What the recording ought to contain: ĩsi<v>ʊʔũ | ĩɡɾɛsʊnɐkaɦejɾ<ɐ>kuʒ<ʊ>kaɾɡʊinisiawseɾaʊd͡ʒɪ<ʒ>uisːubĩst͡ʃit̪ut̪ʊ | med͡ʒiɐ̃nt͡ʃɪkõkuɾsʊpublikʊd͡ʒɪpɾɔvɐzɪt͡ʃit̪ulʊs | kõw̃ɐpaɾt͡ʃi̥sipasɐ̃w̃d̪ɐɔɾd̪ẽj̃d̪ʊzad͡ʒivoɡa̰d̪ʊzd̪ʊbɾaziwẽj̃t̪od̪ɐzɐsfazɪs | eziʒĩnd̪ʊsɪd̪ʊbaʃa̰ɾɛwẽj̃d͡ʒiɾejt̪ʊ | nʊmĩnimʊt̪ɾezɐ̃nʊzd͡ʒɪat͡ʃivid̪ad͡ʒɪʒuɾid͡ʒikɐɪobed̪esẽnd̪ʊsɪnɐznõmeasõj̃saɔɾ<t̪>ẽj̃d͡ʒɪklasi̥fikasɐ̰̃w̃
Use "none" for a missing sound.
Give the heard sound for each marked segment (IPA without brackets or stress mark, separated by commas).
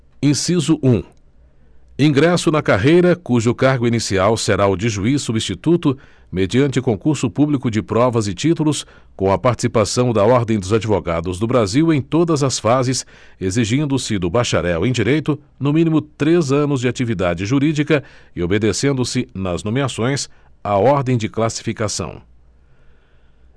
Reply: z, ɐ, ʊ, ʒ, d̪